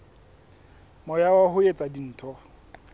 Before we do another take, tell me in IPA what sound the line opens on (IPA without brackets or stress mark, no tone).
m